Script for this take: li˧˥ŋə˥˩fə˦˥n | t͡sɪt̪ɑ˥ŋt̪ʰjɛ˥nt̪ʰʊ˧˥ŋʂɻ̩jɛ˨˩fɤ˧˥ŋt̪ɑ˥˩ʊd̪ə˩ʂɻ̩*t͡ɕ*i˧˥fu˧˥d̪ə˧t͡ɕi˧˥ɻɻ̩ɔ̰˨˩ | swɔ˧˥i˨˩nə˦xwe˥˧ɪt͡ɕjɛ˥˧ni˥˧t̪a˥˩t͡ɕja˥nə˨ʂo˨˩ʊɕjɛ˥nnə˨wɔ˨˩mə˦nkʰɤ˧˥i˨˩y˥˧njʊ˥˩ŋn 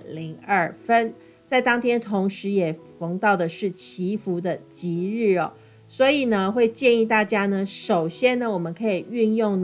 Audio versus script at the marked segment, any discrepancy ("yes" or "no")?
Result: yes